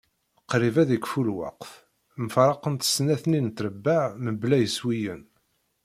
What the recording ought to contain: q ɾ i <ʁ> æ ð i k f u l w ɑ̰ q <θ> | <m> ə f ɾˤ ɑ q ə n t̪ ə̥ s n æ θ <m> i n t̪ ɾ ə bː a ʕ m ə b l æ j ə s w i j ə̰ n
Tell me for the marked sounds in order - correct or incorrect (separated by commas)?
incorrect, incorrect, correct, incorrect